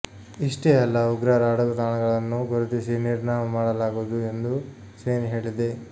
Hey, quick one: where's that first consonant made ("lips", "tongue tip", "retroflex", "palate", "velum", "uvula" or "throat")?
retroflex